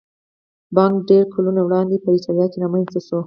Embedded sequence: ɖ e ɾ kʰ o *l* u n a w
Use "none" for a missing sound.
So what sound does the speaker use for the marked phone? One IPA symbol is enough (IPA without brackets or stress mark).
l